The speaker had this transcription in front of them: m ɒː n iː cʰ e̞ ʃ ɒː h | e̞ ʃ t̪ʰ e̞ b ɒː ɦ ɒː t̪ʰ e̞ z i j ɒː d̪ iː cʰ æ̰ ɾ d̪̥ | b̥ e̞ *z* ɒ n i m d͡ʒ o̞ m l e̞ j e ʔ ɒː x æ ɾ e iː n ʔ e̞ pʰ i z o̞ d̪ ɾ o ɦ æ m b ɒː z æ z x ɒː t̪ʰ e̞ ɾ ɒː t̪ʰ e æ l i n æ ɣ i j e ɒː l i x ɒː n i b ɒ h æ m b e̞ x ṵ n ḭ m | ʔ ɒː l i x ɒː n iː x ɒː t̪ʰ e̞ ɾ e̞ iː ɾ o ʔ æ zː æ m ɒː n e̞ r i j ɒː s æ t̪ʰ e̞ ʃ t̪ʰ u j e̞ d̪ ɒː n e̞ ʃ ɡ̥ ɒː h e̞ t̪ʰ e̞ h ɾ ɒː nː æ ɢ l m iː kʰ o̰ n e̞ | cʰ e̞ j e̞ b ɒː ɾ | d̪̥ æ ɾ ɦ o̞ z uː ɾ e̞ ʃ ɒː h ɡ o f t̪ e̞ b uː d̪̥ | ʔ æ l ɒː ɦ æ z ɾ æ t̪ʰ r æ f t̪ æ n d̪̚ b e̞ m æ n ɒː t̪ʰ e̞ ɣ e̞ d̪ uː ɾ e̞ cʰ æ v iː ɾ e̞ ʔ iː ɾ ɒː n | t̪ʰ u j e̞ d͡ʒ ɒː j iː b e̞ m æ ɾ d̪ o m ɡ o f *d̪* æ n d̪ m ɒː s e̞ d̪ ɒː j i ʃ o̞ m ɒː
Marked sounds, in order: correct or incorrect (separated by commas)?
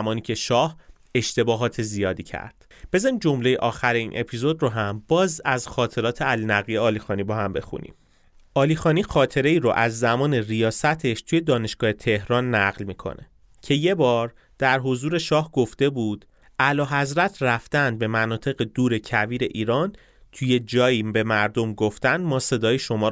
correct, incorrect